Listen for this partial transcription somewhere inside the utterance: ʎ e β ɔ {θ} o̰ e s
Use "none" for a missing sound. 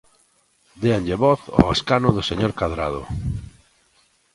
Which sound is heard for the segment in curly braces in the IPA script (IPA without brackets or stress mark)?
θ